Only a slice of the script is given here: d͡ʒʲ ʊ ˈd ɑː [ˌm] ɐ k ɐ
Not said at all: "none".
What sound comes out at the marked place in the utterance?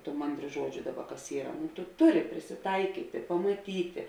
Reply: b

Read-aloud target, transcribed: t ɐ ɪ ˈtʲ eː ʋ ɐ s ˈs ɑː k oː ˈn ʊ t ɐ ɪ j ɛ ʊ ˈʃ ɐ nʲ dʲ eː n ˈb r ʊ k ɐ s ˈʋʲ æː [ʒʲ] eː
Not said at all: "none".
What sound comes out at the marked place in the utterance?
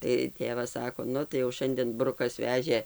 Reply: ʒʲ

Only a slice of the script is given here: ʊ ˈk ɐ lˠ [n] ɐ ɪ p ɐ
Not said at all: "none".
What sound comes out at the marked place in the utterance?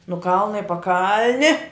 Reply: n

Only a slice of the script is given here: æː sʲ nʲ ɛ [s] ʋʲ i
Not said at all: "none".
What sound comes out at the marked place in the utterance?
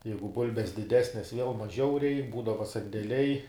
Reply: s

